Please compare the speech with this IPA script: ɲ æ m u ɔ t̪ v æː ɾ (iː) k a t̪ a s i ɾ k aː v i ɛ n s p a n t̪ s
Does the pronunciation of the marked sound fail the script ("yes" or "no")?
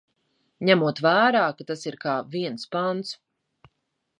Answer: yes